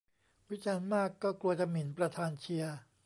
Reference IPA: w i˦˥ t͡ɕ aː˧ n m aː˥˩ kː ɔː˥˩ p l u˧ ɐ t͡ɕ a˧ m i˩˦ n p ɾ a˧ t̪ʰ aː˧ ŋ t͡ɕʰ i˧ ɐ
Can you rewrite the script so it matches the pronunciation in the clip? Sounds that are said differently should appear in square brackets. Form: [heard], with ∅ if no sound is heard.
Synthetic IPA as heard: w i˦˥ t͡ɕ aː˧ n m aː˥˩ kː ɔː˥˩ [k] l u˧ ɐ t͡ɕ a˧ m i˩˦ n p ɾ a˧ t̪ʰ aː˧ [n] t͡ɕʰ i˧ ɐ